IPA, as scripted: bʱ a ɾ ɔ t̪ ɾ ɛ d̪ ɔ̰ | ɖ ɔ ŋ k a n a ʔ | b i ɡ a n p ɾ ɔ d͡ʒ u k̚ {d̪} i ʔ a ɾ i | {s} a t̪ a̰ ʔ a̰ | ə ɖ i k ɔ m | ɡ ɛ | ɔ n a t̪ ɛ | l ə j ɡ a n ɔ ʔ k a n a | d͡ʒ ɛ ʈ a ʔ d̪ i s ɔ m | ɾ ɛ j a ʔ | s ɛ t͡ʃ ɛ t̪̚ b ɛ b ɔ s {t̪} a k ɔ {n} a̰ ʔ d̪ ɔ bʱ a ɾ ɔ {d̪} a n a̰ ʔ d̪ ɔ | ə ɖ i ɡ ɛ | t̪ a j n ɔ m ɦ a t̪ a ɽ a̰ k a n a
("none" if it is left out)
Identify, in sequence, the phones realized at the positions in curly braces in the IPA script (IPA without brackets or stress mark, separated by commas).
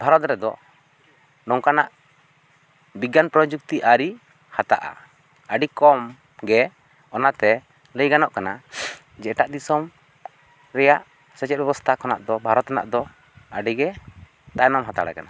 t̪, h, t̪ʰ, n, t̪